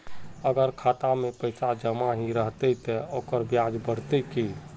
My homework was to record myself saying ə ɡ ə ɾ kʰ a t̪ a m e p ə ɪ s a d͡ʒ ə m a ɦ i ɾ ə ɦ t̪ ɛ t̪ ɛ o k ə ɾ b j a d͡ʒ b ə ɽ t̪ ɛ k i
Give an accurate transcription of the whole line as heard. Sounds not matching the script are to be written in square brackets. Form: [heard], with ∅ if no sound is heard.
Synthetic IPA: ə ɡ ə ɾ kʰ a t̪ a m e p ə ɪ s a d͡ʒ ə m a ɦ i ɾ ə ɦ t̪ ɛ t̪ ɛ o k ə ɾ b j a d͡ʒ b ə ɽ t̪ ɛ k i